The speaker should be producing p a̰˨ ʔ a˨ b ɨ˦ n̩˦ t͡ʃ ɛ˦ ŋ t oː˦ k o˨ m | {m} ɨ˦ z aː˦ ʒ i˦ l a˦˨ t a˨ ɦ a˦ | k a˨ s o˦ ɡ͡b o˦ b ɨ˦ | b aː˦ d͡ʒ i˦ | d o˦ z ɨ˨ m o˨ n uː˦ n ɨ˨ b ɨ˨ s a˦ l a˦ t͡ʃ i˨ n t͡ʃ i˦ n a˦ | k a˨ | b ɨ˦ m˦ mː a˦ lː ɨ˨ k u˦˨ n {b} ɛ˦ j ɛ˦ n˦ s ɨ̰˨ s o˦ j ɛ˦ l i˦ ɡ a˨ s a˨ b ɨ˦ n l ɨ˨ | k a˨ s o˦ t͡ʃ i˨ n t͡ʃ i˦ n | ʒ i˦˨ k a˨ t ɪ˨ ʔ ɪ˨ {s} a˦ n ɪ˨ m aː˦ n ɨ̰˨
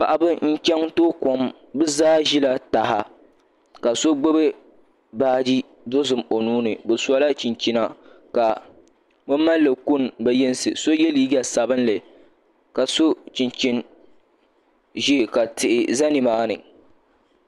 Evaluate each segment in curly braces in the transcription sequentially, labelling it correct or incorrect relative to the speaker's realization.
incorrect: b, correct, incorrect: z

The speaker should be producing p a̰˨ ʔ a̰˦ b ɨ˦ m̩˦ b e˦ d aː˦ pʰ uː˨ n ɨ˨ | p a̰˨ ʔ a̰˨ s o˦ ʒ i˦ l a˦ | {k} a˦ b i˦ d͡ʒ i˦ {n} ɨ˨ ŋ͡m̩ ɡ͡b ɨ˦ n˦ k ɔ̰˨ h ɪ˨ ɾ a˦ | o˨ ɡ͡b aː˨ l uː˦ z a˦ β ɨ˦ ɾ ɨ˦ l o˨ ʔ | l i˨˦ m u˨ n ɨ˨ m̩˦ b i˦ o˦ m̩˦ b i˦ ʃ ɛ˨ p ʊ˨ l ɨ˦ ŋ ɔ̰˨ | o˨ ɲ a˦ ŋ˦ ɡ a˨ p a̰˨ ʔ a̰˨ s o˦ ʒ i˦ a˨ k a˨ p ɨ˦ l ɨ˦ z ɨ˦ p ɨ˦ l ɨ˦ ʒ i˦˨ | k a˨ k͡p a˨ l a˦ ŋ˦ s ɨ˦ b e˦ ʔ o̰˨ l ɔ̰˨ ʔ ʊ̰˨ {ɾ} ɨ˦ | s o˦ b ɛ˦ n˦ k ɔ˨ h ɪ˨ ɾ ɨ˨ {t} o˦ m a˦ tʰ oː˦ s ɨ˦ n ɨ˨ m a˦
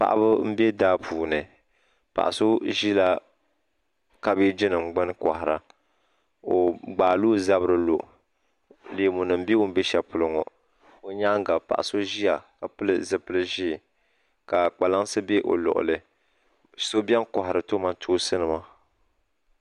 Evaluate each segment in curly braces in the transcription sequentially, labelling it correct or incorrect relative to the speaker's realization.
correct, correct, incorrect: l, correct

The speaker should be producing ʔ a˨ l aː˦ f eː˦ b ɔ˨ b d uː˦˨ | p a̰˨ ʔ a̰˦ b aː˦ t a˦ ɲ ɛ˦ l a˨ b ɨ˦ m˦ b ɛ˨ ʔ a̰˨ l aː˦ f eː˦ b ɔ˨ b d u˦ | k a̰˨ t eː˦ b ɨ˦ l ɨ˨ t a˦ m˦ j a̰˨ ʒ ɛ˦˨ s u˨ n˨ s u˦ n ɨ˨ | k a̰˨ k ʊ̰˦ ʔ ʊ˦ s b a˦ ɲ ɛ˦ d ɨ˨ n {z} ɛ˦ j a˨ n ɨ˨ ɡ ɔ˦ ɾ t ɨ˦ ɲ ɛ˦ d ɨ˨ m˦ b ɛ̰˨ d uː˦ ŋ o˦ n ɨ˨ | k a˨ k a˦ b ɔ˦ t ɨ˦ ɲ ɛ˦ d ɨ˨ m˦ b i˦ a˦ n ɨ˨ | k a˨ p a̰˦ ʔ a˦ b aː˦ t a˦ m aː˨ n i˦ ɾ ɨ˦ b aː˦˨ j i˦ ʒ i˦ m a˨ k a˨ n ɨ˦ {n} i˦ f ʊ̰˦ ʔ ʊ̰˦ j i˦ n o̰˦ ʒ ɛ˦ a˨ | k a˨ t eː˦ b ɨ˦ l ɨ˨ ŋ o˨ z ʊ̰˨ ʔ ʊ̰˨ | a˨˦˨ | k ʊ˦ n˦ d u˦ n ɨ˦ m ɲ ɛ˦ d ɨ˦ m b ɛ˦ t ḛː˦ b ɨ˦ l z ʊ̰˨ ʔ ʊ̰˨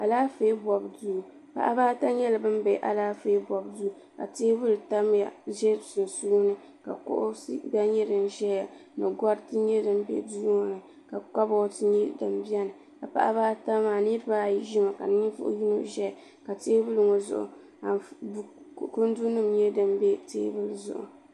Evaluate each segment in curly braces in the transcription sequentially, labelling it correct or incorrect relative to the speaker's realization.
incorrect: ʒ, incorrect: ɲ

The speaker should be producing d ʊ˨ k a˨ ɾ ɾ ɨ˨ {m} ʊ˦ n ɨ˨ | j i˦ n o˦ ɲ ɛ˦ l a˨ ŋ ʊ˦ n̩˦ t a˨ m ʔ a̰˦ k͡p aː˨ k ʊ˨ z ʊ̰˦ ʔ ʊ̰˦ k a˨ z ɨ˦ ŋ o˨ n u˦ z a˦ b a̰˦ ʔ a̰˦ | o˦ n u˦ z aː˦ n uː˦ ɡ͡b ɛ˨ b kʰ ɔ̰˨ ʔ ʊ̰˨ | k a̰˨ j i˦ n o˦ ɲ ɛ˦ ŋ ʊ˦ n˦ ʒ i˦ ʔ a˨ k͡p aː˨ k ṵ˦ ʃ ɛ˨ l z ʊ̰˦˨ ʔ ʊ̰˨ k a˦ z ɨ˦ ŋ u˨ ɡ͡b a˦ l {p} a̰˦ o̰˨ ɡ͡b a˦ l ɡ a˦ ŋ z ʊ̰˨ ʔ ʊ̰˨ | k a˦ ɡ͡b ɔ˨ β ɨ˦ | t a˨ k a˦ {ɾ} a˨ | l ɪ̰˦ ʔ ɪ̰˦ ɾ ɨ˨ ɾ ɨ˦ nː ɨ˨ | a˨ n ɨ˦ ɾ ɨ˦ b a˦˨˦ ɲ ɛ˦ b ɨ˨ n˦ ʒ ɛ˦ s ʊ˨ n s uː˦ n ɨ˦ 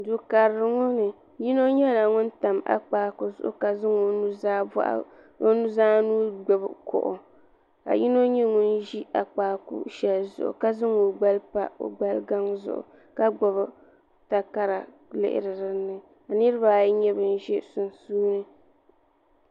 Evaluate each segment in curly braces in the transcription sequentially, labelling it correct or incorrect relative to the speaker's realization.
incorrect: ŋ, correct, correct

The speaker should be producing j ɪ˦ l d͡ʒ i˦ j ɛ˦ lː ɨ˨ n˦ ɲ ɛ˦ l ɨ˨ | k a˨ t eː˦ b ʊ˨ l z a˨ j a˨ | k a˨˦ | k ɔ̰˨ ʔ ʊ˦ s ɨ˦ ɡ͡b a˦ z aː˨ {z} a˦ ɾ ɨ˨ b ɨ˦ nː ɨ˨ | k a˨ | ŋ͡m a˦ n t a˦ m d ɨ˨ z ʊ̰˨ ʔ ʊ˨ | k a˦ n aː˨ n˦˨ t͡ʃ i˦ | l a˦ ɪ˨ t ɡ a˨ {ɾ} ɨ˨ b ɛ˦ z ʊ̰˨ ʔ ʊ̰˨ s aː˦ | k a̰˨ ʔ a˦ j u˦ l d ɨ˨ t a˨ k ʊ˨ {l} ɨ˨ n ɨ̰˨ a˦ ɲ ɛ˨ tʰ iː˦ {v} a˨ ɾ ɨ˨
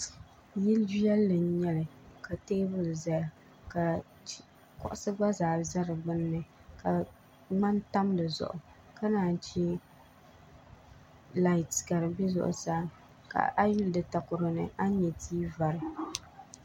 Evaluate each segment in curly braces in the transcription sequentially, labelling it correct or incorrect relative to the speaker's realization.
correct, correct, incorrect: ɾ, correct

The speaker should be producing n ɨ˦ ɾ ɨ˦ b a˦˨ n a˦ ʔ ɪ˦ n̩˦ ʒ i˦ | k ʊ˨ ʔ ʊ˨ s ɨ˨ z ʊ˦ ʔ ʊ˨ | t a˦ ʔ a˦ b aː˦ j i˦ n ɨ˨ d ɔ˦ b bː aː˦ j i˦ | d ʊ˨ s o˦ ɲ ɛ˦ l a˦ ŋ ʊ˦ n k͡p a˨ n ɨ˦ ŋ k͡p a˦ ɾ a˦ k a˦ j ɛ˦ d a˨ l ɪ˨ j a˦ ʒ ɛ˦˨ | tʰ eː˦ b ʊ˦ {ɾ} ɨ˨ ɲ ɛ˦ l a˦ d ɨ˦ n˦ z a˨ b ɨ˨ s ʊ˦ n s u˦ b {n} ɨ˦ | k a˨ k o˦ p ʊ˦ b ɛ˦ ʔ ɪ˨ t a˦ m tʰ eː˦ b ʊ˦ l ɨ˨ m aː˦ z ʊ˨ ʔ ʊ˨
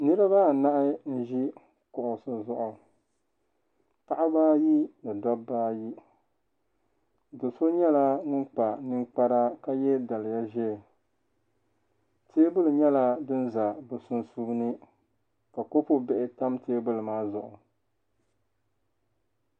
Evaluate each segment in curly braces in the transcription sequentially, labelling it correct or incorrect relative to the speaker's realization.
incorrect: l, correct

